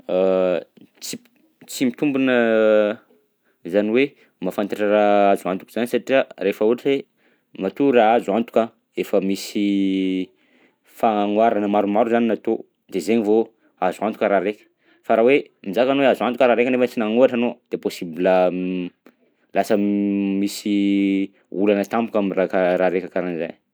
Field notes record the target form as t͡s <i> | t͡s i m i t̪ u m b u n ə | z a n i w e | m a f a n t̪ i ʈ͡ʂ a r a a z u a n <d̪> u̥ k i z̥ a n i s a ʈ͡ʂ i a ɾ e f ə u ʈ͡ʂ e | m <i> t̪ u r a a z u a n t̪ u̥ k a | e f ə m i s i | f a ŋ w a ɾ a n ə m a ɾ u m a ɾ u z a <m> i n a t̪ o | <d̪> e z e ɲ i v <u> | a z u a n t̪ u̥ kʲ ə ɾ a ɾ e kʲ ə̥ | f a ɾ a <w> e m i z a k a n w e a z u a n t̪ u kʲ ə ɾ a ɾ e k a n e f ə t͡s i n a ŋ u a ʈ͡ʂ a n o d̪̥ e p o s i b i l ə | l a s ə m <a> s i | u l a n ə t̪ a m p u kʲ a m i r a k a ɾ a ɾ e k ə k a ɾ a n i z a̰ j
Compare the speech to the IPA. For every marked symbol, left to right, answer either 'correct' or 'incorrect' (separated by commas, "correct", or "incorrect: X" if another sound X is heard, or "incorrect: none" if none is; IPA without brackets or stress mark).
correct, incorrect: t̪, incorrect: a, incorrect: n, correct, incorrect: o, correct, incorrect: i